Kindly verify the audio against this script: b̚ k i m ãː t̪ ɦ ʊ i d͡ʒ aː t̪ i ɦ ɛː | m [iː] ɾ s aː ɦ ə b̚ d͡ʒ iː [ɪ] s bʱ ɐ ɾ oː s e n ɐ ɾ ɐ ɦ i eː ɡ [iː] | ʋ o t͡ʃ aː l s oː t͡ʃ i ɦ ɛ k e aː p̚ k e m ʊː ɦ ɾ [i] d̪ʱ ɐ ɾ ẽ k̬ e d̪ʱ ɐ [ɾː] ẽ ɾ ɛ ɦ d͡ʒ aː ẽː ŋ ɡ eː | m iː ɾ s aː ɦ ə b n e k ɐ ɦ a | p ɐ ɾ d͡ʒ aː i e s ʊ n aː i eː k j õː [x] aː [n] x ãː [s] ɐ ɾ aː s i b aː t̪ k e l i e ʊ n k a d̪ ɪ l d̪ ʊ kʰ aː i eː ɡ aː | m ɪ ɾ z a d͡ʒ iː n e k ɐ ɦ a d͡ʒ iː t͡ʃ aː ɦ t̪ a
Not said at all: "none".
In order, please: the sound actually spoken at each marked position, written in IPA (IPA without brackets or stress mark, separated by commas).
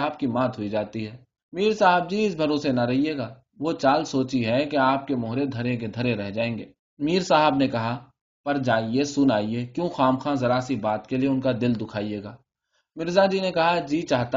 iː, ɪ, aː, e, ɾ, x, m, z